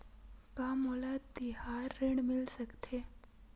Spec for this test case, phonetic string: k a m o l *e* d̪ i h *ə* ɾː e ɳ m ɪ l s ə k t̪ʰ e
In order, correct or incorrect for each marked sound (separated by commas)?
incorrect, incorrect